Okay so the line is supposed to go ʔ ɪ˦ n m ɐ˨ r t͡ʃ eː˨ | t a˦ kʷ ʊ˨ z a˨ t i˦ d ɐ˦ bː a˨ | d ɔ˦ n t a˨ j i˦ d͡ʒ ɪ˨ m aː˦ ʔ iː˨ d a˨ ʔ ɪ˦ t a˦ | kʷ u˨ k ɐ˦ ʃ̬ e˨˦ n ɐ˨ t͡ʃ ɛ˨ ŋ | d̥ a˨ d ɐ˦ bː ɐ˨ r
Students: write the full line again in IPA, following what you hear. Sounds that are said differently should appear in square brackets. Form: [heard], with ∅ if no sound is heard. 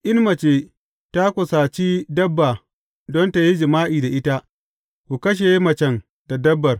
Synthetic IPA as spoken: ʔ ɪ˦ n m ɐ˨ [∅] t͡ʃ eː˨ | t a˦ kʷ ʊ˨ [s] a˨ [t͡ʃ] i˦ d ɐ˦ bː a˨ | d ɔ˦ n t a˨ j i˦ d͡ʒ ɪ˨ m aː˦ ʔ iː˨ d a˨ ʔ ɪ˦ t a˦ | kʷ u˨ k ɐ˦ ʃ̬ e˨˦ [m] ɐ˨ t͡ʃ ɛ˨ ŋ | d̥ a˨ d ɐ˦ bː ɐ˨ r